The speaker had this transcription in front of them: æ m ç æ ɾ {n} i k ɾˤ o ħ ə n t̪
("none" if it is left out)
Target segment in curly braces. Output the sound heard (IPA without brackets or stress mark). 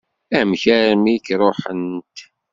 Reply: m